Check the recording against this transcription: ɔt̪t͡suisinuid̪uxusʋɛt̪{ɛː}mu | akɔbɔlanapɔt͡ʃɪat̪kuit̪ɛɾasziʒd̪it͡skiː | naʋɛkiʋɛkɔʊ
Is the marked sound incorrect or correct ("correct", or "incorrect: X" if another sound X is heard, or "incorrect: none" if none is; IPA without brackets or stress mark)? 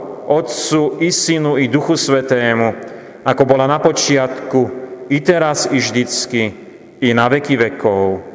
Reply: correct